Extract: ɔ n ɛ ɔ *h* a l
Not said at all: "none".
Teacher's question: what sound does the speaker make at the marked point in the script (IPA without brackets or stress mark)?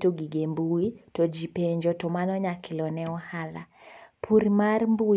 h